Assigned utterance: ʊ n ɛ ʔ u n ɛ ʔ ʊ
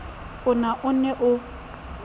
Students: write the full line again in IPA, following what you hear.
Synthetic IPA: ʊ n a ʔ ʊ n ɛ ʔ ʊ